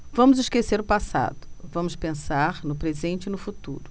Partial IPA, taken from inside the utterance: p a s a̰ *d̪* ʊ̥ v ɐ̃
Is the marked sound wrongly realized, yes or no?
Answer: no